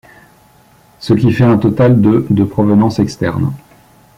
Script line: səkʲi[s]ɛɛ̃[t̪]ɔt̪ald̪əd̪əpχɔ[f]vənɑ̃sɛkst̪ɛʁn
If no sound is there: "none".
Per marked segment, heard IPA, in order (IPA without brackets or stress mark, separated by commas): f, t̪, none